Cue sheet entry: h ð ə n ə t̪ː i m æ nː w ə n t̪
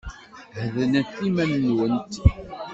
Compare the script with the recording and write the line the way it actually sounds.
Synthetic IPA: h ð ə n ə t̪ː i m æ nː w ə n t̪